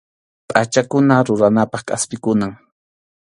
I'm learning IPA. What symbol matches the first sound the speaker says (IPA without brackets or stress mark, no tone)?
pʼ